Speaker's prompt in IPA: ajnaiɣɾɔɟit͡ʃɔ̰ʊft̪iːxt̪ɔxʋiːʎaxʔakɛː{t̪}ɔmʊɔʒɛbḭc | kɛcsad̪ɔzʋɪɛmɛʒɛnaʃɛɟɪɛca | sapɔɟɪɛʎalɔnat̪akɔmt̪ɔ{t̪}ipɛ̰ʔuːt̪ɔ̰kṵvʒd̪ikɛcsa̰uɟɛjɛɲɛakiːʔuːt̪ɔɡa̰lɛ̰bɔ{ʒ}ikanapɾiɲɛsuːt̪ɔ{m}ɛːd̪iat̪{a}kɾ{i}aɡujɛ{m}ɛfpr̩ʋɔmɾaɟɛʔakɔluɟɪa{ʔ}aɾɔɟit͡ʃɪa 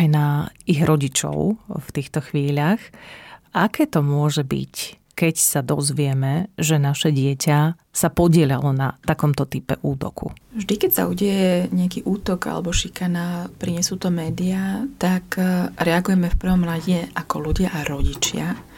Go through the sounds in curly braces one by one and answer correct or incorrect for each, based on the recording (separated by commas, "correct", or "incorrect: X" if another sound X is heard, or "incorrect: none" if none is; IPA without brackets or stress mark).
correct, correct, incorrect: ʃ, correct, correct, incorrect: ɛ, correct, correct